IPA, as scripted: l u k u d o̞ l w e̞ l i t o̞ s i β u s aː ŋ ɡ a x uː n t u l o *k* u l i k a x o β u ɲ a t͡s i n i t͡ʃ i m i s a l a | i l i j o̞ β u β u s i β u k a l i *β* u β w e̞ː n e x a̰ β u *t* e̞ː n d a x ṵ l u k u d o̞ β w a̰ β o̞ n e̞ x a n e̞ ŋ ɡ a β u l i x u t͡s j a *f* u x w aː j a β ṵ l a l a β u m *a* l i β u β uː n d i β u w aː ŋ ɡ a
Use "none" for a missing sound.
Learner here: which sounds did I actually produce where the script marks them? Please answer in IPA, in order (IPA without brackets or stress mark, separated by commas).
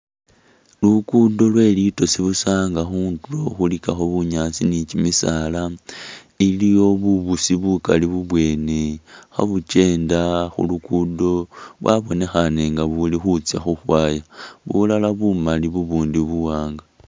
x, β, t͡ʃ, x, a